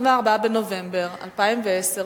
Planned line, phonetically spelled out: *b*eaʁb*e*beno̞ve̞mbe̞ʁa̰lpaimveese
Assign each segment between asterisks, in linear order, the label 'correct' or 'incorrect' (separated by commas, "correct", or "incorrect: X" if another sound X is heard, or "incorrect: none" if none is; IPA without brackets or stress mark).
incorrect: v, incorrect: a